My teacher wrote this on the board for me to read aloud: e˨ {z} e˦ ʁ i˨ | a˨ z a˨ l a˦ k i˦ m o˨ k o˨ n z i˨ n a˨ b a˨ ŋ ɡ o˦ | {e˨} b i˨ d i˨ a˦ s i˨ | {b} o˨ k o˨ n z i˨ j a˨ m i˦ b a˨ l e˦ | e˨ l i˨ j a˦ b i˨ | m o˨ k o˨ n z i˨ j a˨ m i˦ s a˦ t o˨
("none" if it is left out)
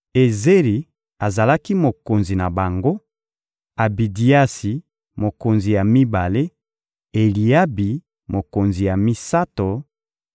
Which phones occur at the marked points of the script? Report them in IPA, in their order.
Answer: z, a˨, m

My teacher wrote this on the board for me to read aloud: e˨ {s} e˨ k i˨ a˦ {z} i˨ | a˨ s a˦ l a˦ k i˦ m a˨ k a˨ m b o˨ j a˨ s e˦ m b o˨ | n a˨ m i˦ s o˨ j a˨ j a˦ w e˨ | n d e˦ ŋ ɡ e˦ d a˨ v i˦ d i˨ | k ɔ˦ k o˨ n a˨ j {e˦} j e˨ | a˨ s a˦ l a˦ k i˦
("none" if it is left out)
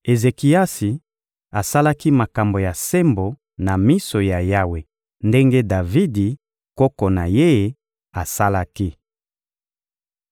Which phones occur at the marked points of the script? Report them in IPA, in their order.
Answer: z, s, e˦

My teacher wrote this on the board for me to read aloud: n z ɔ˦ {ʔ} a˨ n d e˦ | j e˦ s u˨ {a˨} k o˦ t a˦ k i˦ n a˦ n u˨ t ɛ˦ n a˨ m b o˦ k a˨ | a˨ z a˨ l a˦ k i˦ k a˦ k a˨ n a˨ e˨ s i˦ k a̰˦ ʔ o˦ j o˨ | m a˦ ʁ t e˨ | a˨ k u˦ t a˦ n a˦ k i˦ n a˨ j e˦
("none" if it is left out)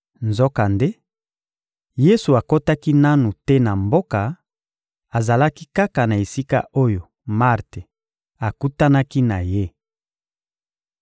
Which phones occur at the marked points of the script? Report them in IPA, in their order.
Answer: k, a˨

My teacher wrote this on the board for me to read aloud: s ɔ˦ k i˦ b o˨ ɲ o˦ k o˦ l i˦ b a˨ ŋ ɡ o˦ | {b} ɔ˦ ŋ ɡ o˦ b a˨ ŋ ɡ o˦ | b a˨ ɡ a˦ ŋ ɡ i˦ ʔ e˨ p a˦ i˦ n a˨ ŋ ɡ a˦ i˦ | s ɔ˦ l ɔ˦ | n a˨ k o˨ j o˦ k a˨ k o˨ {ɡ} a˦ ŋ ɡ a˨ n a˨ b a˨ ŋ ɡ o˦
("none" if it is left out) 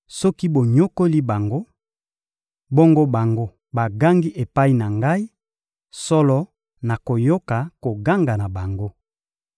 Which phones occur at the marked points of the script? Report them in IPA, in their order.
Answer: b, ɡ

